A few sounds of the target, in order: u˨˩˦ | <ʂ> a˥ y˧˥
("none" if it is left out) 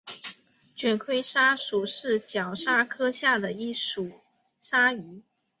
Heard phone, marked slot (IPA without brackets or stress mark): ʂ